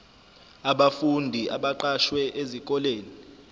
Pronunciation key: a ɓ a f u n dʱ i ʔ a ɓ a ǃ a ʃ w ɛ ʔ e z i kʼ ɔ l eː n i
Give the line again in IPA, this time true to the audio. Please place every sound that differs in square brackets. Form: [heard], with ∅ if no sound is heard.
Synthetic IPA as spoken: a ɓ a f u n dʱ i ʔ a ɓ a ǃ a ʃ w ɛ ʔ e z i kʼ ɔ l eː n i